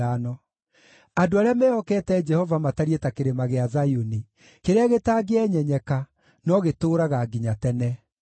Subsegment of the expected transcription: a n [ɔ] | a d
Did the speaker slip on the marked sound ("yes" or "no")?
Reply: no